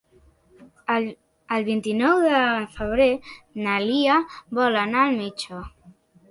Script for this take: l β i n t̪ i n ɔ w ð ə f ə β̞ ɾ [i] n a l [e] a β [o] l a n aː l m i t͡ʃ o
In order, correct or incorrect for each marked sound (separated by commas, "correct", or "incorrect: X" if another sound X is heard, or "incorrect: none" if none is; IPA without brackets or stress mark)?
incorrect: e, incorrect: i, incorrect: ɔ